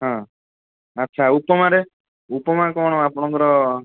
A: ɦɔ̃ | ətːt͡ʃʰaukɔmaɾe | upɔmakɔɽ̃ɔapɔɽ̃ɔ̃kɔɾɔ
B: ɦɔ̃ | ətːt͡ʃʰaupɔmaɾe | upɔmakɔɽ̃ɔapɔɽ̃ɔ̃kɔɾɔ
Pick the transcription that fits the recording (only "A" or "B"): B